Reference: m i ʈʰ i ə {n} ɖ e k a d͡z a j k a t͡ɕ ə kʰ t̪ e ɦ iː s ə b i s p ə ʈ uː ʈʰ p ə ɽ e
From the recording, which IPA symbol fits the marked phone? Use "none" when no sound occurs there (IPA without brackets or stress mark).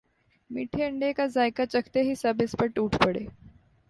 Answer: ɳ